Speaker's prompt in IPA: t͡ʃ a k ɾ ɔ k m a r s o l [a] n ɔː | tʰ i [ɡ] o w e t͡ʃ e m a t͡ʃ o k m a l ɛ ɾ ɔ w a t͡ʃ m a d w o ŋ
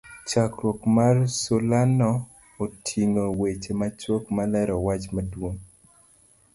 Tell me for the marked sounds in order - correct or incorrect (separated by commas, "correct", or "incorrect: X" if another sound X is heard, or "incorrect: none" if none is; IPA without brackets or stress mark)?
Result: correct, incorrect: ŋ